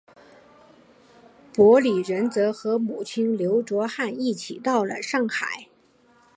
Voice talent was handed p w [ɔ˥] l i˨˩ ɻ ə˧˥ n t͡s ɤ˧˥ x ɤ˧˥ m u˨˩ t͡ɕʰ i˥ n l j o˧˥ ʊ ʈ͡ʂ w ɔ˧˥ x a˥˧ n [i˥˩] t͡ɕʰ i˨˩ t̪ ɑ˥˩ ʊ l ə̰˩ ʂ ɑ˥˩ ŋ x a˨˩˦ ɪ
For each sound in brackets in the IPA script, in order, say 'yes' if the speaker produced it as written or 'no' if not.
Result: no, yes

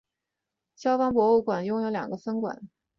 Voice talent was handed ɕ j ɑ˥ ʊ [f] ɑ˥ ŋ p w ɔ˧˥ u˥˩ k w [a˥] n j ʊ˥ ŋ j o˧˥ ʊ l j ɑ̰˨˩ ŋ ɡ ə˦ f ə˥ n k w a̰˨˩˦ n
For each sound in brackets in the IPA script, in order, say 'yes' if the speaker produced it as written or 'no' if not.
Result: yes, no

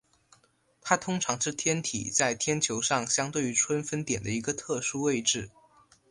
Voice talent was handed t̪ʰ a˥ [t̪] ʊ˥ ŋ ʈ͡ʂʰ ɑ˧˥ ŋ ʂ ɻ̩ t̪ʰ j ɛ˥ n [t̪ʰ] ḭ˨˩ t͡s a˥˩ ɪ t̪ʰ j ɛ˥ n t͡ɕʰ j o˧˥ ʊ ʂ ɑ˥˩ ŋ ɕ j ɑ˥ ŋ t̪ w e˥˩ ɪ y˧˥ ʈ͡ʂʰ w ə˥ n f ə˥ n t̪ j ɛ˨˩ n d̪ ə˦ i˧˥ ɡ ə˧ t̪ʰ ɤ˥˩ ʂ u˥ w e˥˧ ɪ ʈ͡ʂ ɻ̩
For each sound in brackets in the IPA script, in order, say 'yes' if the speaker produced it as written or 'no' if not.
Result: no, yes

